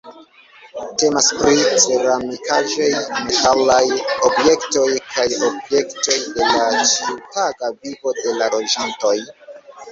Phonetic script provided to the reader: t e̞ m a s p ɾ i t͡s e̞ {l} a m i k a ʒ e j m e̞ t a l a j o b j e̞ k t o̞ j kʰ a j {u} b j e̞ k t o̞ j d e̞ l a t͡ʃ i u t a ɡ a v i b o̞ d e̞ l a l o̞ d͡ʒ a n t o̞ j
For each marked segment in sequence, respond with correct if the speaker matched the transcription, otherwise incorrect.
incorrect: ɾ, incorrect: o

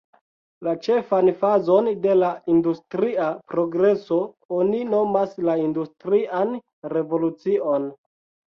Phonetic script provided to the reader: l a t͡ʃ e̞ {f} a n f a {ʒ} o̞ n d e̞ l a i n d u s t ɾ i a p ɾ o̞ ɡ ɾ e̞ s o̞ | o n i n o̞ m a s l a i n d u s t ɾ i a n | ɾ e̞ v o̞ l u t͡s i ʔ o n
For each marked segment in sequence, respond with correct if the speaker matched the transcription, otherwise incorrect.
correct, incorrect: z

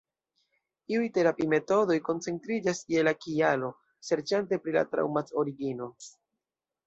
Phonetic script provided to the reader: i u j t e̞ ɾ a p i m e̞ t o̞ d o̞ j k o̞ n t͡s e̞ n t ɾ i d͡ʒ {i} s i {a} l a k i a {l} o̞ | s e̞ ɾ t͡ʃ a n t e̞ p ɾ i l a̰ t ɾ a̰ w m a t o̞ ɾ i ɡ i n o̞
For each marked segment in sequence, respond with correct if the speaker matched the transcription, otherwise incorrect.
incorrect: a, incorrect: e, correct

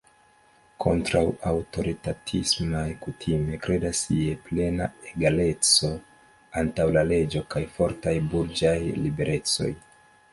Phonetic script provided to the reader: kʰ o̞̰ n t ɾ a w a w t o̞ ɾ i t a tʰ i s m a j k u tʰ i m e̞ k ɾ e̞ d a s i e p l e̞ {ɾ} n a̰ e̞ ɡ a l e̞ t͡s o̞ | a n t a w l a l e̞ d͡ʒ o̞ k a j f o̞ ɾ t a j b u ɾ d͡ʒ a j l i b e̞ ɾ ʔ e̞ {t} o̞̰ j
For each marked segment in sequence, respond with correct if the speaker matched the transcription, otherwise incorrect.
incorrect: none, incorrect: t͡s

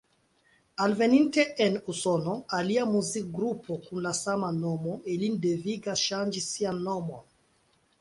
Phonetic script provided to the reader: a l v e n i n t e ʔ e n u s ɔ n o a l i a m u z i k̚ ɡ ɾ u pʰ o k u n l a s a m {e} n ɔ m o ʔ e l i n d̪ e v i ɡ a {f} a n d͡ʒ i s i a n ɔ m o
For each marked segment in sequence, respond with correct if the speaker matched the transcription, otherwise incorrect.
incorrect: a, incorrect: ʃ

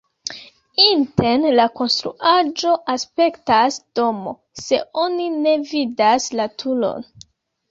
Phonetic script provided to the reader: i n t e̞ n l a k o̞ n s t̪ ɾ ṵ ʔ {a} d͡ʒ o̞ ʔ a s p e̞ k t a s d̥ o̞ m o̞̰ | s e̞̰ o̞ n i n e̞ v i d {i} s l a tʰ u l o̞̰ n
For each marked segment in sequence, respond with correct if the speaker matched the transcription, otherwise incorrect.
correct, incorrect: a

